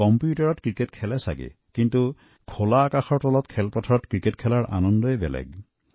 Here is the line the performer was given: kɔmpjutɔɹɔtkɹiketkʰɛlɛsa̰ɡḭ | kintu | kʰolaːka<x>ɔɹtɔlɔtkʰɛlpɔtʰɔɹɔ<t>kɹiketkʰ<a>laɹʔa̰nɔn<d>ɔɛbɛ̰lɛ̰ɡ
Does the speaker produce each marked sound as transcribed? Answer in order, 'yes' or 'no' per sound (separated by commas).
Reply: yes, yes, no, yes